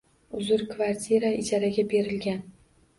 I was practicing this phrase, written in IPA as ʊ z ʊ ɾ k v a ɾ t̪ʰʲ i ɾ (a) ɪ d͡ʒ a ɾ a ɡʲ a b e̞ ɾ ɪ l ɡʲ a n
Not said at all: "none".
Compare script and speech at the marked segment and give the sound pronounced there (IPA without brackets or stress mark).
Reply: a